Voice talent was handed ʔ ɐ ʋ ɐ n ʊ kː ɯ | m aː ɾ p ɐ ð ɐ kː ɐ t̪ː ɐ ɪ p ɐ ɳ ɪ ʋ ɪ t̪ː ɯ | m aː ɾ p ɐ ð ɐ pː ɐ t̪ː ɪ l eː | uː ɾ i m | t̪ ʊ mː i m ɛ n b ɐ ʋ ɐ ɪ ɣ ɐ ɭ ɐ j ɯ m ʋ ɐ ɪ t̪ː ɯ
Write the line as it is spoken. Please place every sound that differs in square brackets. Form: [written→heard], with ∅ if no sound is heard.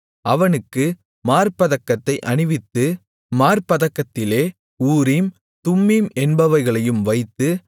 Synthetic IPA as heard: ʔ ɐ ʋ ɐ n [ʊ→ɯ] kː ɯ | m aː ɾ p ɐ ð ɐ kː ɐ t̪ː ɐ ɪ [p→ʔ] ɐ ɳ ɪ ʋ ɪ t̪ː ɯ | m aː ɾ p ɐ ð ɐ [pː→kː] ɐ t̪ː ɪ l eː | uː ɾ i m | t̪ ʊ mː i m ɛ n b ɐ ʋ ɐ ɪ ɣ ɐ ɭ ɐ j ɯ m ʋ ɐ ɪ t̪ː ɯ

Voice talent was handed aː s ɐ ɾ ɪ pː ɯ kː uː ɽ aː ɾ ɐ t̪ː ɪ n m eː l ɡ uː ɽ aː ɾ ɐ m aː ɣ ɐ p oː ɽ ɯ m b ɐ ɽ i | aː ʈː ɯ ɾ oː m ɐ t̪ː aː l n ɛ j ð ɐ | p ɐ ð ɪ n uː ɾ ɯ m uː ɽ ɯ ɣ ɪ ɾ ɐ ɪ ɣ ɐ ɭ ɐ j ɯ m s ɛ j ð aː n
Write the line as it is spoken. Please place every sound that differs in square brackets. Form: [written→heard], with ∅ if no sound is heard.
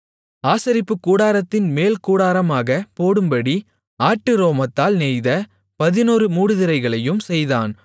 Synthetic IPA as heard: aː s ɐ ɾ ɪ pː ɯ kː uː ɽ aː ɾ ɐ t̪ː ɪ n m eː l [ɡ→k] uː ɽ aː ɾ ɐ m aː ɣ ɐ p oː ɽ ɯ m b ɐ ɽ i | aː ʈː ɯ ɾ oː m ɐ t̪ː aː l n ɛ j ð ɐ | p ɐ ð ɪ n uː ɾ ɯ m uː ɽ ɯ [ɣ→ð] ɪ ɾ ɐ ɪ ɣ ɐ ɭ ɐ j ɯ m s ɛ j ð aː n

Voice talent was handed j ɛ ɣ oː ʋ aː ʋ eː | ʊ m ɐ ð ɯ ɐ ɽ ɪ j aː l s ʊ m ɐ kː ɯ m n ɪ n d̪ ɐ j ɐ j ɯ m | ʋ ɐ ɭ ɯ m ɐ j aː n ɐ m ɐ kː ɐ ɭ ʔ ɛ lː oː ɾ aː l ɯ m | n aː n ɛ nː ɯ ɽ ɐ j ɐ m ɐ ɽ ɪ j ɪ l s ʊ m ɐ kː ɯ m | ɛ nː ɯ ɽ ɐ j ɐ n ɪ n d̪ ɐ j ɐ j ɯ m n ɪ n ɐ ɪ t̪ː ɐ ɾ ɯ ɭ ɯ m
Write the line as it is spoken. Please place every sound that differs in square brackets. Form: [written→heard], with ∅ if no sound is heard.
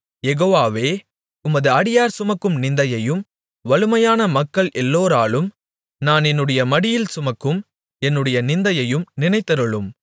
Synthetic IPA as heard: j ɛ ɣ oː ʋ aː ʋ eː | ʊ m ɐ ð ɯ ɐ ɽ ɪ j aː [l→ɾ] s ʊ m ɐ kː ɯ m n ɪ n d̪ ɐ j ɐ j ɯ m | ʋ ɐ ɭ ɯ m ɐ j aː n ɐ m ɐ kː ɐ ɭ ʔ ɛ lː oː ɾ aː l ɯ m | n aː n ɛ nː ɯ ɽ ɐ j ɐ m ɐ ɽ ɪ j ɪ l s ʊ m ɐ kː ɯ m | ɛ nː ɯ ɽ ɐ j ɐ n ɪ n d̪ ɐ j ɐ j ɯ m n ɪ n ɐ ɪ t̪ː ɐ ɾ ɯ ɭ ɯ m

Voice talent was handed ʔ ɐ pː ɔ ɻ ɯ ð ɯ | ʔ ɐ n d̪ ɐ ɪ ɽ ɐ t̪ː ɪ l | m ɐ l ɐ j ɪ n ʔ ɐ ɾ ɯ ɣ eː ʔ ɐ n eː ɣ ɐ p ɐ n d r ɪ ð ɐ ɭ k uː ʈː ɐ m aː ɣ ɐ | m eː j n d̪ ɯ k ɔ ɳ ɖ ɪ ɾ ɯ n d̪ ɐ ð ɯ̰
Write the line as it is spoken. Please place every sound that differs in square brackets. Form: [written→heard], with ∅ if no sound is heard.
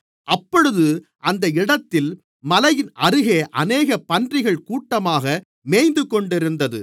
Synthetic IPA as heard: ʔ ɐ pː ɔ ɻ ɯ ð ɯ | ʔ ɐ n d̪ ɐ ɪ ɽ ɐ t̪ː ɪ l | m ɐ l ɐ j ɪ n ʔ ɐ ɾ ɯ ɣ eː ʔ ɐ n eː ɣ ɐ p ɐ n d r ɪ [ð→ɣ] ɐ ɭ k uː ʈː ɐ m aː ɣ ɐ | m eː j n d̪ ɯ k ɔ ɳ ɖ ɪ ɾ ɯ n d̪ ɐ ð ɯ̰

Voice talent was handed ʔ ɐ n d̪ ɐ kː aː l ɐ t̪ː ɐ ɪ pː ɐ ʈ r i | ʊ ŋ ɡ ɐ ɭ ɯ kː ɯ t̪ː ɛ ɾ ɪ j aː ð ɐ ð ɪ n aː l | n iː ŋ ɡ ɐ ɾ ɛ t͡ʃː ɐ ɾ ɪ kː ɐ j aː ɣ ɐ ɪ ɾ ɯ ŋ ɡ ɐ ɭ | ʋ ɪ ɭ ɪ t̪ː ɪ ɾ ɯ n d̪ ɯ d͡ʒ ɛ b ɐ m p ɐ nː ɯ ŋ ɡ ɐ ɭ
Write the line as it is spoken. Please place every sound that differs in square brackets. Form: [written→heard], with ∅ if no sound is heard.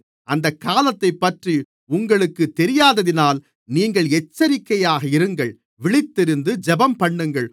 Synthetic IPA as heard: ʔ ɐ n d̪ ɐ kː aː l ɐ t̪ː ɐ ɪ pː ɐ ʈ r i | ʊ ŋ ɡ ɐ ɭ ɯ kː ɯ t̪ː ɛ ɾ ɪ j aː ð ɐ ð ɪ n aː l | n iː ŋ ɡ ɐ [ɾ→ɭ] ɛ t͡ʃː ɐ ɾ ɪ kː ɐ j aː ɣ ɐ ɪ ɾ ɯ ŋ ɡ ɐ ɭ | ʋ ɪ ɭ ɪ t̪ː ɪ ɾ ɯ n d̪ ɯ d͡ʒ ɛ b ɐ m p ɐ [nː→ɳː] ɯ ŋ ɡ ɐ ɭ

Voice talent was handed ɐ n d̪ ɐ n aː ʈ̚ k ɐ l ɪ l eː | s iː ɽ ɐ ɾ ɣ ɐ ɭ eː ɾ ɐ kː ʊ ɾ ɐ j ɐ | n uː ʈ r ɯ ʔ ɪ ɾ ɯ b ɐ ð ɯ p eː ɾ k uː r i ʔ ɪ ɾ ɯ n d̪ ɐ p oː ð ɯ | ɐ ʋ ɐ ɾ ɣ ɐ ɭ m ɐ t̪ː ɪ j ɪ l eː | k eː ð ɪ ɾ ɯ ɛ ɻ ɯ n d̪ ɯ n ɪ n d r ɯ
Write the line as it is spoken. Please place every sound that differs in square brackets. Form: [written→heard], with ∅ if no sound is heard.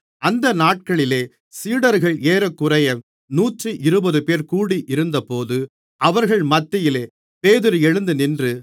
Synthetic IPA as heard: ɐ n d̪ ɐ n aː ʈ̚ k ɐ [l→ɭ] ɪ l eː | s iː ɽ ɐ ɾ ɣ ɐ ɭ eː ɾ ɐ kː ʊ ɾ ɐ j ɐ | n uː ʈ r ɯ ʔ ɪ ɾ ɯ b ɐ ð ɯ p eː ɾ k uː [r→ɽ] i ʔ ɪ ɾ ɯ n d̪ ɐ p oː ð ɯ | ɐ ʋ ɐ ɾ ɣ ɐ ɭ m ɐ t̪ː ɪ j ɪ l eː | [k→p] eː ð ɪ ɾ ɯ ɛ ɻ ɯ n d̪ ɯ n ɪ n d r ɯ

